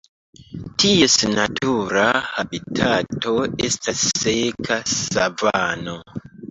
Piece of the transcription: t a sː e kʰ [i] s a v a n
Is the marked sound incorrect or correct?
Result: incorrect: a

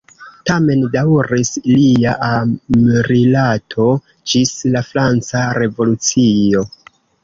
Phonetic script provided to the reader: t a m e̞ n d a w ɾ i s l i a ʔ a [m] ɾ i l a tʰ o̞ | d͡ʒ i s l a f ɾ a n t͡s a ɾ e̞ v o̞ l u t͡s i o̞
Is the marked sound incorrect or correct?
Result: correct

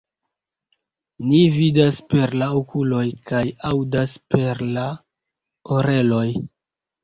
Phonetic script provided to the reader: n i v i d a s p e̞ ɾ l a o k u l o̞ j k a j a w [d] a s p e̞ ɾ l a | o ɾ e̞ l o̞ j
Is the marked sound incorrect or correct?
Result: correct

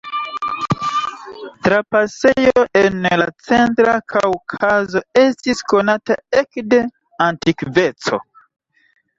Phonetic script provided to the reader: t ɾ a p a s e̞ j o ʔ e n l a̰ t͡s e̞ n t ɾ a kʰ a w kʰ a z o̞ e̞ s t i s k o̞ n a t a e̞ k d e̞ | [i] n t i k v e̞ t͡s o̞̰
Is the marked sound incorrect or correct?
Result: incorrect: a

